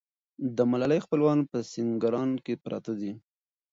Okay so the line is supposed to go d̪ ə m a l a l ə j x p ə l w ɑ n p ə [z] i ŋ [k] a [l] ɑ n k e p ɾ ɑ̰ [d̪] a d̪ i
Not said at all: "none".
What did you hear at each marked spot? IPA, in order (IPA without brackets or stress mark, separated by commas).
s, ɡ, ɾ, t̪